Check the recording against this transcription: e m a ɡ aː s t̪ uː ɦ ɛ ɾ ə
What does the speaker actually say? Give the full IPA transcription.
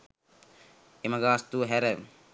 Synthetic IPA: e m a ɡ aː s t̪ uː ɦ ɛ ɾ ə